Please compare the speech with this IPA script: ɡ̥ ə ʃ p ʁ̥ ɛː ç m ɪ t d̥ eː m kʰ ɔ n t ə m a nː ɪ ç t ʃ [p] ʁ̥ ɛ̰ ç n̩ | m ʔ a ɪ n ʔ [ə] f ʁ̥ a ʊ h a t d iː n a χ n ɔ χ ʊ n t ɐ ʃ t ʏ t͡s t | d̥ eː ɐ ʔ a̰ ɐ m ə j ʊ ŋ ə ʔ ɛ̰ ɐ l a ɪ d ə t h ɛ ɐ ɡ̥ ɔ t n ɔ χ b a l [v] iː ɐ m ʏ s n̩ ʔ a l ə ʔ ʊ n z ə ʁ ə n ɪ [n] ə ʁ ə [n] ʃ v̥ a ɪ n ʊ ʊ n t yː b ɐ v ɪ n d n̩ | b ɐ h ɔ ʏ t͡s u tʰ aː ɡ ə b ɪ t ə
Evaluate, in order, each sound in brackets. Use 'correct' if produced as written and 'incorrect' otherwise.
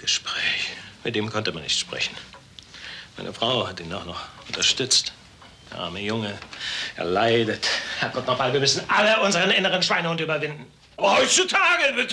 correct, correct, correct, correct, correct

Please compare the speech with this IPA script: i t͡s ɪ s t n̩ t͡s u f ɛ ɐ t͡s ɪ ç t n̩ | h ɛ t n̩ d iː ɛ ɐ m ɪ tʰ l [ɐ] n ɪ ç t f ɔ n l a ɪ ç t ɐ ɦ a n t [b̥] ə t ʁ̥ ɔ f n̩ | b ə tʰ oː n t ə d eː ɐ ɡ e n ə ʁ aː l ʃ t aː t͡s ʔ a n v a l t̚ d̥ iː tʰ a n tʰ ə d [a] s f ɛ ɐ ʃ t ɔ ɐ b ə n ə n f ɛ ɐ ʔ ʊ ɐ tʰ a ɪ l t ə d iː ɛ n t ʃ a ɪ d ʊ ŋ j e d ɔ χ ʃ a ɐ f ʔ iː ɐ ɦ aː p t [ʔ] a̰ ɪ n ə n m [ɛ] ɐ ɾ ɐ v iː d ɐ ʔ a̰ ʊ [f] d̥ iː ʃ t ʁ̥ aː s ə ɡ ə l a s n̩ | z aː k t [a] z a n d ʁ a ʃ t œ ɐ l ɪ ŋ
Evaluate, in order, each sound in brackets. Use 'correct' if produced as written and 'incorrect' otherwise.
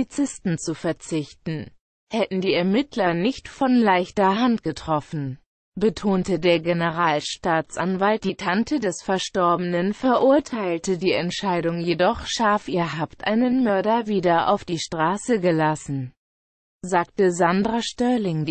correct, incorrect: ɡ̥, incorrect: ɛ, correct, incorrect: œ, correct, incorrect: ə

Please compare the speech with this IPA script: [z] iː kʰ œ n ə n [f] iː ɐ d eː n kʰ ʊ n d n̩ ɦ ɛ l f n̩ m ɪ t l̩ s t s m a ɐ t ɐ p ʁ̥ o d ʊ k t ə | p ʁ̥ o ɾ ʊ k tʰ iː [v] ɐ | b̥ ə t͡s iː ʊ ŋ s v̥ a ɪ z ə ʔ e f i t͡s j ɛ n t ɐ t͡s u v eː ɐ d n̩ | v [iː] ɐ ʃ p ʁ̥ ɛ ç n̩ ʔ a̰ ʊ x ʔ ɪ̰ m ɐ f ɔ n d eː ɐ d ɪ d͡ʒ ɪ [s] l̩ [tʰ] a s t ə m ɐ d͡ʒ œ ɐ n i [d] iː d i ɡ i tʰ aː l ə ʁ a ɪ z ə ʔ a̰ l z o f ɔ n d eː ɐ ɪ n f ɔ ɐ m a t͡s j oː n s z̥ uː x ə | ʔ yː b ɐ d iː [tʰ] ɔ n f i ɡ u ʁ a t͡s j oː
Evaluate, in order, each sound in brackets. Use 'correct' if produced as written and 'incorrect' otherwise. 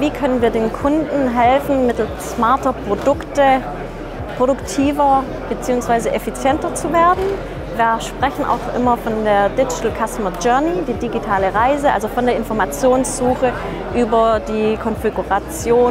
incorrect: v, incorrect: v, correct, correct, incorrect: t, incorrect: kʰ, correct, incorrect: kʰ

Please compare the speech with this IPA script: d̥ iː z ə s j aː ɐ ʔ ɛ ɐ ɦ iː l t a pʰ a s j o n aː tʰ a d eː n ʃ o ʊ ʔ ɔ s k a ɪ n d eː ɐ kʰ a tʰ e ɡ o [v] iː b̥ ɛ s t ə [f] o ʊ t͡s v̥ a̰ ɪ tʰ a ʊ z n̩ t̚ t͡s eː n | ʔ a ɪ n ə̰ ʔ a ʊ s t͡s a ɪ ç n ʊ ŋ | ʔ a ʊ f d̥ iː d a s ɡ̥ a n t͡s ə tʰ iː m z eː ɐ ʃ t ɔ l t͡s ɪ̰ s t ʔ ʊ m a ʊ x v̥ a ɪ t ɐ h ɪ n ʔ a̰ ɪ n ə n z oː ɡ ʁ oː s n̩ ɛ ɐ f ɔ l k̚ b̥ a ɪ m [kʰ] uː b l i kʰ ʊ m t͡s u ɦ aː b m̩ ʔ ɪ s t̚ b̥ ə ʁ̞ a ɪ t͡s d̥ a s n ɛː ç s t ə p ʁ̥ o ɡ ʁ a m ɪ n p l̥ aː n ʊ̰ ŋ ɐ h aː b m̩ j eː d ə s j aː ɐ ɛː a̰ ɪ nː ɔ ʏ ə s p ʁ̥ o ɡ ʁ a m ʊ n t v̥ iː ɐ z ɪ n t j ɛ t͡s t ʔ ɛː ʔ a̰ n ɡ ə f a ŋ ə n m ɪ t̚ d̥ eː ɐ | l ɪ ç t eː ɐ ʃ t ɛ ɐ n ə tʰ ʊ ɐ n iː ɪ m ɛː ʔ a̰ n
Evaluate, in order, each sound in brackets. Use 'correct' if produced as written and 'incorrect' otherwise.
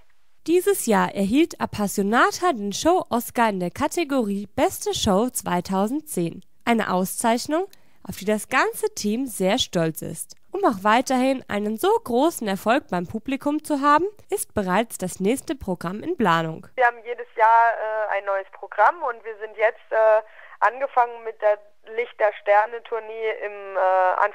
incorrect: ʁ, incorrect: ʃ, incorrect: pʰ

